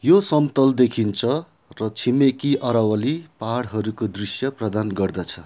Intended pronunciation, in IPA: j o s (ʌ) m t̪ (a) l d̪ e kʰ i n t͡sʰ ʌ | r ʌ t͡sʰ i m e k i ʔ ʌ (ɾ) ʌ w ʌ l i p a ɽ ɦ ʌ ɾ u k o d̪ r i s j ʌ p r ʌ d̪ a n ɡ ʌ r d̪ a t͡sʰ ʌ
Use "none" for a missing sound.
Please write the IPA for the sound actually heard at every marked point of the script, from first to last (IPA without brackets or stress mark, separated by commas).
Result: ʌ, ʌ, ɾ